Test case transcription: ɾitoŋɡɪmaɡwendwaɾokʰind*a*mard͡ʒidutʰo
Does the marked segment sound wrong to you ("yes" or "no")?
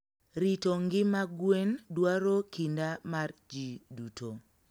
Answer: no